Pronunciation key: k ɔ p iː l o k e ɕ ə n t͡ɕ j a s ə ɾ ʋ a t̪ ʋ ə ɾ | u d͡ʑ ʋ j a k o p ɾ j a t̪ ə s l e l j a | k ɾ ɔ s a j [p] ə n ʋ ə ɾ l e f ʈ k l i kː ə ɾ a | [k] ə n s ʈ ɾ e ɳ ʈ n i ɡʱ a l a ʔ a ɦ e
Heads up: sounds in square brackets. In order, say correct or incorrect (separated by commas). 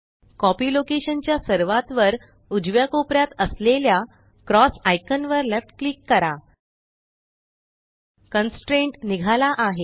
incorrect, correct